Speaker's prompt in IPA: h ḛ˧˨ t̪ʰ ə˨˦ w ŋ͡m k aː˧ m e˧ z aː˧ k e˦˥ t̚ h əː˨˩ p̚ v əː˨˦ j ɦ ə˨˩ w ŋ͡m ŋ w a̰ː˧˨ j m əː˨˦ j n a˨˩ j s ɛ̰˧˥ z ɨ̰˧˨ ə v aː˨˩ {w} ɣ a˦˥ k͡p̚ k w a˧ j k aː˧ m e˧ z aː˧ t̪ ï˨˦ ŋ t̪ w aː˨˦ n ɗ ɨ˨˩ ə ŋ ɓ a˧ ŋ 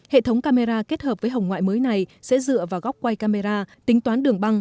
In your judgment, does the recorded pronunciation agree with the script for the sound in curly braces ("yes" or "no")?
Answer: yes